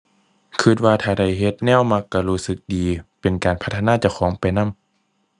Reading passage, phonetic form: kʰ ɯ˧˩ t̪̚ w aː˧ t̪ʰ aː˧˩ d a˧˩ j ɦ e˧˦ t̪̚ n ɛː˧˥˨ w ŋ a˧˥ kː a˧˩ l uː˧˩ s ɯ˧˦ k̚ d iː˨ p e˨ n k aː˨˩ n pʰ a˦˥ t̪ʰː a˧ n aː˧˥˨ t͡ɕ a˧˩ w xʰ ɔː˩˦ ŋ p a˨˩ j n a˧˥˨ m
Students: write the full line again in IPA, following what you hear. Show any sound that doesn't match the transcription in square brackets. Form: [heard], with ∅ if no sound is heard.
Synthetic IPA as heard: kʰ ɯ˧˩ t̪̚ w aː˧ t̪ʰ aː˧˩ d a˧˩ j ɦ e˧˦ t̪̚ n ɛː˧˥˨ w [m] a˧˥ kː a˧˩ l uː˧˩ s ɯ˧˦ k̚ d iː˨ p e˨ n k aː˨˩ n pʰ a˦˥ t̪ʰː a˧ n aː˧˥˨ t͡ɕ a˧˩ w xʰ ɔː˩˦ ŋ p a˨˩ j n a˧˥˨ m